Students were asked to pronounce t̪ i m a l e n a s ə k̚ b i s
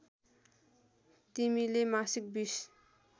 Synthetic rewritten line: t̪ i m i l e m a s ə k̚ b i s